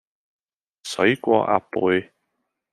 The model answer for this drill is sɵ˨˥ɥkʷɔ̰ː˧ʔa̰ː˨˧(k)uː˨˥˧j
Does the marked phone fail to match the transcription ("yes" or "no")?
yes